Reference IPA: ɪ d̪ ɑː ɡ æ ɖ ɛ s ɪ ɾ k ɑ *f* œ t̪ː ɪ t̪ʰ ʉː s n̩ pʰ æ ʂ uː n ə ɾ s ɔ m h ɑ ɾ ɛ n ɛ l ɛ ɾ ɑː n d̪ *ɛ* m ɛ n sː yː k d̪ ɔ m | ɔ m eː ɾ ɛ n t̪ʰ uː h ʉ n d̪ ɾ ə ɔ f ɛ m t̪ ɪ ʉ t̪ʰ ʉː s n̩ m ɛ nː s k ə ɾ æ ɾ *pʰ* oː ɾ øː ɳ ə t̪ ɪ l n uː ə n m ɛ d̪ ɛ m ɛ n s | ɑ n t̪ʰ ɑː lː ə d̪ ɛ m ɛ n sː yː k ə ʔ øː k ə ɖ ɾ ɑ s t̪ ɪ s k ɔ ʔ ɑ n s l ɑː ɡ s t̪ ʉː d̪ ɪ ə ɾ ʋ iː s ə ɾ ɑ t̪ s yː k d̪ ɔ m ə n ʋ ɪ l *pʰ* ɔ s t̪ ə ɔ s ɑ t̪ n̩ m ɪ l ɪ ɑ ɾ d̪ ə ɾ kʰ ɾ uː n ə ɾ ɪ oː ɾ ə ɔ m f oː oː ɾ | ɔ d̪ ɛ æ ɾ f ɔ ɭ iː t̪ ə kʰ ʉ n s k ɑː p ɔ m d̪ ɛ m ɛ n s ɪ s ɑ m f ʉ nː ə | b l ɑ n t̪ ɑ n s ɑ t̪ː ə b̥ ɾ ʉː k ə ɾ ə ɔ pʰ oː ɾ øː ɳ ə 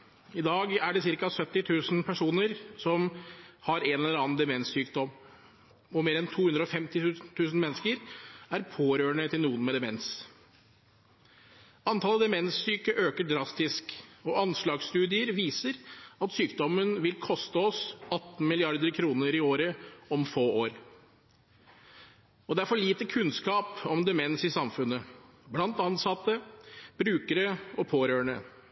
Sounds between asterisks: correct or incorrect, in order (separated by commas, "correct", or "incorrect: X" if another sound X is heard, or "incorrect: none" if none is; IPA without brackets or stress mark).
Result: incorrect: s, correct, correct, incorrect: kʰ